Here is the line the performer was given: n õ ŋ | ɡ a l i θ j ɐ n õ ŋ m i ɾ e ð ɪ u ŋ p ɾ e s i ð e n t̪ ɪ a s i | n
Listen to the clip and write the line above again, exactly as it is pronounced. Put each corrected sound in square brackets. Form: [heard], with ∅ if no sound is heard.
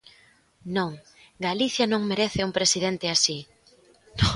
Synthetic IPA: n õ ŋ | ɡ a l i θ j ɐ n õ ŋ m [e] ɾ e [θ] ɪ u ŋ p ɾ e s i ð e n t̪ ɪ a s i | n